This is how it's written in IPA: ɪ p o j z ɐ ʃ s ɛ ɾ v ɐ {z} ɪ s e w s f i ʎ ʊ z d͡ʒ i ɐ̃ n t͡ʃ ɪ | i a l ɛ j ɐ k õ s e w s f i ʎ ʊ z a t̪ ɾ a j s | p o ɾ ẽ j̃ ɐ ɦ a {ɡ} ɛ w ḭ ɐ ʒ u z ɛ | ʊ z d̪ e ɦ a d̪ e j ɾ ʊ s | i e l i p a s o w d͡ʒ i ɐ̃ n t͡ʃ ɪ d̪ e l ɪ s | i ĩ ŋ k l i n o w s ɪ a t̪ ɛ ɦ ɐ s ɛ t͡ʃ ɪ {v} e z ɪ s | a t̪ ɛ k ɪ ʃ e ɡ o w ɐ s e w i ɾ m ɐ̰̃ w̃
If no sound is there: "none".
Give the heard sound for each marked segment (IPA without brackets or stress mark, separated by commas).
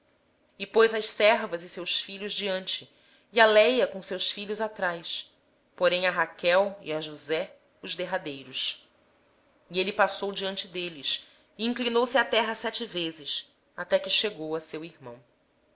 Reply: z, k, v